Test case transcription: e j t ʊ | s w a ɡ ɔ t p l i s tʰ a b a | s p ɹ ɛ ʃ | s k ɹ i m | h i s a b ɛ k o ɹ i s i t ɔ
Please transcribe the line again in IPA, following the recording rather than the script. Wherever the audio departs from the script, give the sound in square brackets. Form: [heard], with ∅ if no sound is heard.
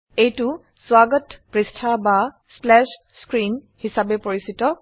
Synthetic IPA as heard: e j t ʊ | s w a ɡ ɔ t p [ɹ] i s tʰ a b a | s p [l] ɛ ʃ | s k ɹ i [n] | h i s a b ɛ [p] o ɹ i s i t ɔ